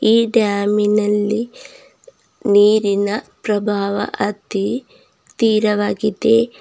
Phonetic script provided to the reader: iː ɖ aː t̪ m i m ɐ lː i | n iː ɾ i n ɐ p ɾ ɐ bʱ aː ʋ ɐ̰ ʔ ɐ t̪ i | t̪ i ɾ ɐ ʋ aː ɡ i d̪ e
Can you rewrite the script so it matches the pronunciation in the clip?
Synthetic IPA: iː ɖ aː m i n ɐ lː i | n iː ɾ i n ɐ p ɾ ɐ bʱ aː ʋ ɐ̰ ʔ ɐ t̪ i | t̪ iː ɾ ɐ ʋ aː ɡ i d̪ e